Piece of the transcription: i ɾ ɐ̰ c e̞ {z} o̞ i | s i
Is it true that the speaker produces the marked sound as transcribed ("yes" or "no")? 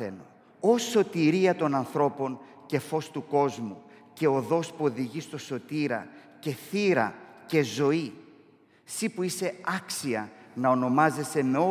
yes